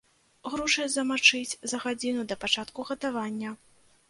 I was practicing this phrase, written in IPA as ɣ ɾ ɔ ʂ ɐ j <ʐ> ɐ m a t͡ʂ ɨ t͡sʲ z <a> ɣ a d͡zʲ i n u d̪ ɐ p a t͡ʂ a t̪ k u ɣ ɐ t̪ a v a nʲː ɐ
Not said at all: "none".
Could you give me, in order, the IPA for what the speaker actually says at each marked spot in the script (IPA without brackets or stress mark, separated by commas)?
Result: z, ɐ